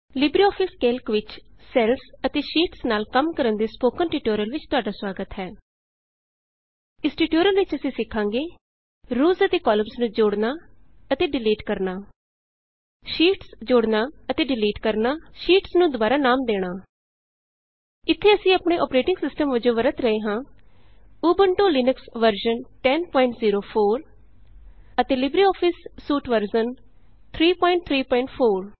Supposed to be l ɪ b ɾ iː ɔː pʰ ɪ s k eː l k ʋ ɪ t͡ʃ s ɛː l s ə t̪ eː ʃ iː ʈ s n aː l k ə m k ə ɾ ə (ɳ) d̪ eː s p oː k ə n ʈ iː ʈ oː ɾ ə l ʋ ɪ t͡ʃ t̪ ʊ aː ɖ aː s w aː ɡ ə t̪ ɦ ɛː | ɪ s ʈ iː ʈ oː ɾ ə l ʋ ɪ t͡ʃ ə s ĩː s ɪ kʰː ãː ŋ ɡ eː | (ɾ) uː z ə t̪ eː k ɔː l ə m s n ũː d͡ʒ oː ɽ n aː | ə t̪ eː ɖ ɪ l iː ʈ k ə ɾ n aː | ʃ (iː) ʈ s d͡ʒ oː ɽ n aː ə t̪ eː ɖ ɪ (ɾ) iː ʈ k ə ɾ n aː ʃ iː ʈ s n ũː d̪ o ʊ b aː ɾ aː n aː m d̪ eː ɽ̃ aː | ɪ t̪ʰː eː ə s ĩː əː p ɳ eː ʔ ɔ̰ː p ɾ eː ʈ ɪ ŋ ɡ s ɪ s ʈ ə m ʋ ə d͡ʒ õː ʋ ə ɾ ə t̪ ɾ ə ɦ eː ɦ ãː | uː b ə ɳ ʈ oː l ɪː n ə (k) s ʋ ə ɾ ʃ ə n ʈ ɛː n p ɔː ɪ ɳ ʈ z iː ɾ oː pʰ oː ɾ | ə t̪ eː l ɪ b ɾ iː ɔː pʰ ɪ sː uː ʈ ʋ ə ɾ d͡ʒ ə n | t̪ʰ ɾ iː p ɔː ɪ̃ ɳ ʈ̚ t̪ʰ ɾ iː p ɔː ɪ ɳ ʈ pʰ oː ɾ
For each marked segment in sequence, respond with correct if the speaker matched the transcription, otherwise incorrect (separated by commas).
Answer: incorrect, correct, correct, incorrect, correct